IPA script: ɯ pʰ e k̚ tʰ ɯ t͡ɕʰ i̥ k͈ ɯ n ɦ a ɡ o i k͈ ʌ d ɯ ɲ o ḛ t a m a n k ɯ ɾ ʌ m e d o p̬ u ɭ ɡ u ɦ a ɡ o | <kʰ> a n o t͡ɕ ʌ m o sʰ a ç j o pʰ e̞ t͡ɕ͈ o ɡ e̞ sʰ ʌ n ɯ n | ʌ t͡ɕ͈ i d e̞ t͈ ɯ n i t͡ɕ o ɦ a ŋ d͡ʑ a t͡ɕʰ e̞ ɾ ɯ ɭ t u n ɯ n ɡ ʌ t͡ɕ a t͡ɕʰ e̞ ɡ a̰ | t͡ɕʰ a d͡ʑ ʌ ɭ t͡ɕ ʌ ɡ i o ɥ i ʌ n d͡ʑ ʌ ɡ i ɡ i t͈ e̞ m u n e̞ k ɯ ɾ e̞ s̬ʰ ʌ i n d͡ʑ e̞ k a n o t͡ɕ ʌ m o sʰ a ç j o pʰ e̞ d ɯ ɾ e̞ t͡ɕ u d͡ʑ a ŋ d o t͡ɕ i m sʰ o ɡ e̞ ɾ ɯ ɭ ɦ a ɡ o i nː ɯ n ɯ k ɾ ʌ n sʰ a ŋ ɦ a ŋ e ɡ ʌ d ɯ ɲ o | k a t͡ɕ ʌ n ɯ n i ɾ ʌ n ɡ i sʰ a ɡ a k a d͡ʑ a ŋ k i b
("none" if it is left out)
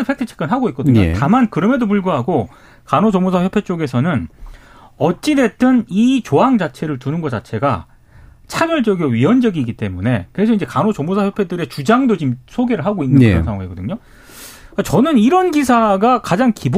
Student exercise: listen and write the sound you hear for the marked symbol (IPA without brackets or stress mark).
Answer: k